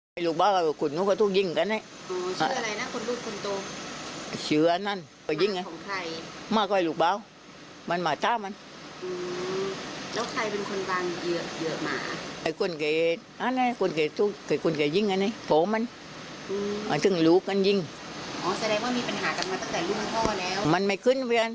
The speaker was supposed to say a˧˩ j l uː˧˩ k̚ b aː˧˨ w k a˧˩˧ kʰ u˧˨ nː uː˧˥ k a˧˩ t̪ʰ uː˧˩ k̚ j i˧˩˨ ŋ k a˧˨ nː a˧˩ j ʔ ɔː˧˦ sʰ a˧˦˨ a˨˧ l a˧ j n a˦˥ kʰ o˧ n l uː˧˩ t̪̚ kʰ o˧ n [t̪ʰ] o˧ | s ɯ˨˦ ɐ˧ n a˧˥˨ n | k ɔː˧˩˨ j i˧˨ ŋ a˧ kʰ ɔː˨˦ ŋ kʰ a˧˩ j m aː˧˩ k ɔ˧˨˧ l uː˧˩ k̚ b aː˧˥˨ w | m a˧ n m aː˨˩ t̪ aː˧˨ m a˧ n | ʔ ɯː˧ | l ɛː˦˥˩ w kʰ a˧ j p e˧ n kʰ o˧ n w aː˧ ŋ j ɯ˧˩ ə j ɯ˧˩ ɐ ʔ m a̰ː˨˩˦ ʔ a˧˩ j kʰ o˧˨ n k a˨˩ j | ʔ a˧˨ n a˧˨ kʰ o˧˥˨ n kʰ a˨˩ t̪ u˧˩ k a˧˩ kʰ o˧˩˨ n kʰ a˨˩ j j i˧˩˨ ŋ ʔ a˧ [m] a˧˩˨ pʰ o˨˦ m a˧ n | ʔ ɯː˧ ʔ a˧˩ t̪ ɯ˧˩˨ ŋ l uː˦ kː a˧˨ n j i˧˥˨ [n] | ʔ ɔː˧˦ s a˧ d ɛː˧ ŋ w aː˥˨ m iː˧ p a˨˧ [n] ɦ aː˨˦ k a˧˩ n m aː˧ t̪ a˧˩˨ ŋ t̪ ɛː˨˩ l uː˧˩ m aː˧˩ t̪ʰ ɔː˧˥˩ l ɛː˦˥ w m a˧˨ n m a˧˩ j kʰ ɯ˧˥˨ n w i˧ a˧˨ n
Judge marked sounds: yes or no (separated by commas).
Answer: no, no, no, yes